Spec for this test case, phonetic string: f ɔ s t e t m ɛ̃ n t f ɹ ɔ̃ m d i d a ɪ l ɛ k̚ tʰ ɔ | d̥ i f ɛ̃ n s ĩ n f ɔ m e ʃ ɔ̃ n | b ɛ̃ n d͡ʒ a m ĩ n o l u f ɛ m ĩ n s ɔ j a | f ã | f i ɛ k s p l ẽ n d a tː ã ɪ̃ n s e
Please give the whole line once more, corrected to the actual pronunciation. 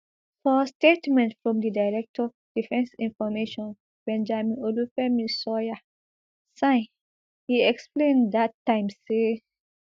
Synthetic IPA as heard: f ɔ s t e t m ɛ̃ n t f ɹ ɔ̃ m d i d a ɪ ɹ ɛ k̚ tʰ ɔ | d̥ i f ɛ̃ n s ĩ n f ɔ m e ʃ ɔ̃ n | b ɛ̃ n d͡ʒ a m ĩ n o l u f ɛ m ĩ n s ɔ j a | s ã | h i ɛ k s p l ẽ n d a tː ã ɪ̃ m s e